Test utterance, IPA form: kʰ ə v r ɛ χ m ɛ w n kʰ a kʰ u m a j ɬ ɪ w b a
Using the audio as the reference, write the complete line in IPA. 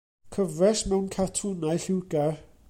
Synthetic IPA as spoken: kʰ ə v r ɛ s m ɛ w n kʰ a tʰ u n a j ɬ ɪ w ɡ a

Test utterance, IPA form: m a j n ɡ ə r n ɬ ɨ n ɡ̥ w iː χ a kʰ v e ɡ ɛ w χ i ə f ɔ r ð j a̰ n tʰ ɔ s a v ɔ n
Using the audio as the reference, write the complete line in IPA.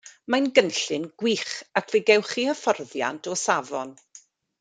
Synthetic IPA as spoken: m a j n ɡ ə n ɬ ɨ n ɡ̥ w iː χ a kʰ v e ɡ ɛ w χ i ə f ɔ r ð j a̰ n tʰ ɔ s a v ɔ n

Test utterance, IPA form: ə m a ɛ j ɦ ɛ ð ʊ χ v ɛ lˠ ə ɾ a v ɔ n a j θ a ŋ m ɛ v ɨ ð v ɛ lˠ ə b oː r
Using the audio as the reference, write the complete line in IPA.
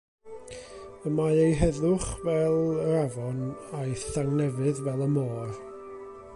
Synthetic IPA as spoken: ə m a e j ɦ ɛ ð ʊ χ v ɛ lˠ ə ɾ a v ɔ n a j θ a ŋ n ɛ v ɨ ð v ɛ lˠ ə m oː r

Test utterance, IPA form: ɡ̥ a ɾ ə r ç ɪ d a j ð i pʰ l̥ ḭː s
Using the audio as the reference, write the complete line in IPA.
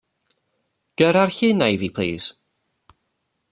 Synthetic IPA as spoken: ɡ̥ ə ɾ a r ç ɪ n a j v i pʰ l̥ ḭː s

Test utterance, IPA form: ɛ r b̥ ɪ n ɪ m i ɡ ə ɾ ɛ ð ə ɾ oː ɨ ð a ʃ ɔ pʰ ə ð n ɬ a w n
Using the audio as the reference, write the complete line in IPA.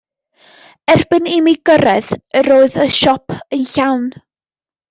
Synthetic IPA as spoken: ɛ r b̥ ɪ n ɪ m i ɡ ə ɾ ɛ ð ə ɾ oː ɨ ð ə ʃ ɔ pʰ ə n ɬ a w n

